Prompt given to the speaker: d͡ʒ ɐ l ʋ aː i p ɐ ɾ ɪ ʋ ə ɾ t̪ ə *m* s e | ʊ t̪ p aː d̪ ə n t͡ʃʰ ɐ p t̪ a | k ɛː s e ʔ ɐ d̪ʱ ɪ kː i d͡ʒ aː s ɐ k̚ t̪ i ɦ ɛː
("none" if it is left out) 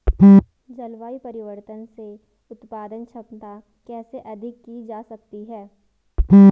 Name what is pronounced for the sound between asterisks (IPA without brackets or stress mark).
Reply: n